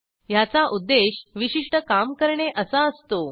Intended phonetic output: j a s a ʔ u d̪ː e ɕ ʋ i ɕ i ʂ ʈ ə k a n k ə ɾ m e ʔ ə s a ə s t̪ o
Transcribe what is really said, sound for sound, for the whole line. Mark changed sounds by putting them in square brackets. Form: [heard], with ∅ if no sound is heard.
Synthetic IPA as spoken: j a [t͡s] a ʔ u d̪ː e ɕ ʋ i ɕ i ʂ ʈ ə k a [m] k ə ɾ [ɳ] e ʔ ə s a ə s t̪ o